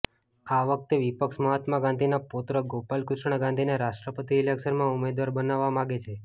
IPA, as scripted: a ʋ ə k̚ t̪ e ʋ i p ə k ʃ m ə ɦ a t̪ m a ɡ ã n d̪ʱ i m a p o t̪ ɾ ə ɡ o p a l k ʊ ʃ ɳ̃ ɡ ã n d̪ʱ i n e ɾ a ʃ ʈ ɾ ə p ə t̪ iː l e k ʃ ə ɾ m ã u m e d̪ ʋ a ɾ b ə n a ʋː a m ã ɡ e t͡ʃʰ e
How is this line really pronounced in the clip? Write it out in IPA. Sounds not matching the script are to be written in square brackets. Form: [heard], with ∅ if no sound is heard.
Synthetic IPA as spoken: a ʋ ə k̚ t̪ e ʋ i p ə k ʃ m ə ɦ a t̪ m a ɡ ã n d̪ʱ i [n] a p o t̪ ɾ ə ɡ o p a l k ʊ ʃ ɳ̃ ɡ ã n d̪ʱ i n e ɾ a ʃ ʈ ɾ ə p ə t̪ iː l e k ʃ ə ɾ m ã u m e d̪ ʋ a ɾ b ə n a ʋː a m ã ɡ e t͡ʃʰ e